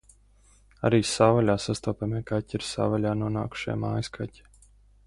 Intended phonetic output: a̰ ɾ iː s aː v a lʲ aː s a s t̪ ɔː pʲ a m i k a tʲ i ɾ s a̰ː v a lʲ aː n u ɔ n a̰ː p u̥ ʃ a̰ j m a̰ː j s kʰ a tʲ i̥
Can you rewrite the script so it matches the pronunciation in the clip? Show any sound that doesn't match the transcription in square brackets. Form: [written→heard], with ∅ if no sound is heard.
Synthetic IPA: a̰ ɾ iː s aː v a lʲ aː s a s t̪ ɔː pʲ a m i k a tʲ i ɾ s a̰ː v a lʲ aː n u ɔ n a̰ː [p→k] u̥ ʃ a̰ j m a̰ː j s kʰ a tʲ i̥